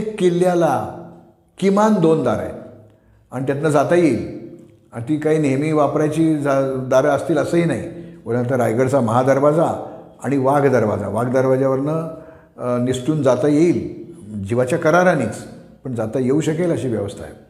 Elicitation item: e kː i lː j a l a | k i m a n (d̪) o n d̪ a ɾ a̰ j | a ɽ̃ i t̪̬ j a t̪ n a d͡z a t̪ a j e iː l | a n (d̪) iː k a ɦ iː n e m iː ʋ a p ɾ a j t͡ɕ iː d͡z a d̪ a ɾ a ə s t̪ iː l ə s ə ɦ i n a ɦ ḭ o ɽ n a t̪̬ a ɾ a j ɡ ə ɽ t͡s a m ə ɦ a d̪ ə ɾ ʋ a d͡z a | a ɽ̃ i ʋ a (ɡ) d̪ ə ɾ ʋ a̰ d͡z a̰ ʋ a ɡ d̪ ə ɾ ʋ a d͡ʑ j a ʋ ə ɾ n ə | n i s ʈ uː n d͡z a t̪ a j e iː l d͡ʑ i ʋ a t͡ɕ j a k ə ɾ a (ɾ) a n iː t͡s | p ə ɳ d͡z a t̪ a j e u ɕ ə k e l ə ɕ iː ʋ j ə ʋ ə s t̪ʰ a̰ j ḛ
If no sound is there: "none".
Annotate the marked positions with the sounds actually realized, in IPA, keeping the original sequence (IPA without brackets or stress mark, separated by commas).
d̪, t̪, ɡ, ɾ